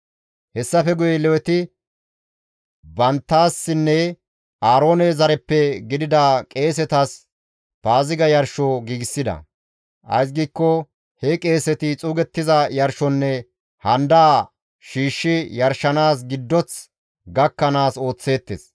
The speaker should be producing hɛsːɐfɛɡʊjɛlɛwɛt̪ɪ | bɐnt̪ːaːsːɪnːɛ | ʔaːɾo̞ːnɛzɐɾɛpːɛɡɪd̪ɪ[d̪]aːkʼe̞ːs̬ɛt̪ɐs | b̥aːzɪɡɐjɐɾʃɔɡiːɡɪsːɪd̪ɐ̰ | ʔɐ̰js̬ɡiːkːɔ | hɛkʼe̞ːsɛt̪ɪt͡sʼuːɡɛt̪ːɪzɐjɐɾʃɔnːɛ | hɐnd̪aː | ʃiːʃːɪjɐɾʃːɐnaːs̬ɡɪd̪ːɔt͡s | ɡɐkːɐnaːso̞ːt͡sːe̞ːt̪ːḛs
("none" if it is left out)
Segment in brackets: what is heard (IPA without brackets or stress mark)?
d̪